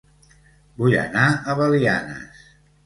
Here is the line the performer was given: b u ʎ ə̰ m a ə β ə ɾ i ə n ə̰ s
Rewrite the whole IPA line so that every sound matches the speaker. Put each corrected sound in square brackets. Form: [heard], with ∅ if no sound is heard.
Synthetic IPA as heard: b u [j] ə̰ [n] a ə β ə [l] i [a] n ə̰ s